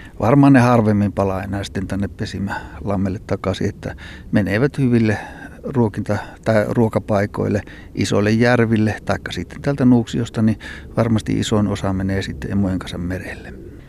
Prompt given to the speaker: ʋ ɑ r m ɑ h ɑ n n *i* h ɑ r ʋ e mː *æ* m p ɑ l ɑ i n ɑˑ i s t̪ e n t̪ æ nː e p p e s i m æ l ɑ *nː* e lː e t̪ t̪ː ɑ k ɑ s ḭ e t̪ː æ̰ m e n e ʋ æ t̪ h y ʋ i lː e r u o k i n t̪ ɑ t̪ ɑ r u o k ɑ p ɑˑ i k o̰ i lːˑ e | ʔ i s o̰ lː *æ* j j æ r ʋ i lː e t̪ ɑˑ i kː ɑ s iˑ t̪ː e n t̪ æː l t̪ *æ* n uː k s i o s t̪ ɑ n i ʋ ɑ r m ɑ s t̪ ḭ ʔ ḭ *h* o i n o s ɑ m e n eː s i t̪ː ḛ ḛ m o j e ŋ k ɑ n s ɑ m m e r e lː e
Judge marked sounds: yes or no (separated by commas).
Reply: no, no, no, no, yes, no